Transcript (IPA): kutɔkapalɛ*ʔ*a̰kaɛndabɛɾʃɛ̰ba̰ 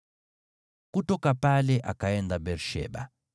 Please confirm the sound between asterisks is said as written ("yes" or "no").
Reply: yes